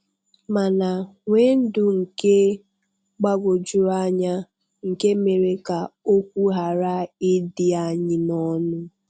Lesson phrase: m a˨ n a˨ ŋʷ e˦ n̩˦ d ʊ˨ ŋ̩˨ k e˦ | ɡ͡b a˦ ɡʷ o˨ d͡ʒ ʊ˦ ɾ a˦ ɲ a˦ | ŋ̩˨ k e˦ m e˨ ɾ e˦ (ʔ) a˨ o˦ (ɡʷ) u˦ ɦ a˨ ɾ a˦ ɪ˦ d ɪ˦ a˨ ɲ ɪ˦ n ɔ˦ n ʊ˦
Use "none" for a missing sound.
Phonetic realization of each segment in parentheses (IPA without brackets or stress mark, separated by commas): k, kʷ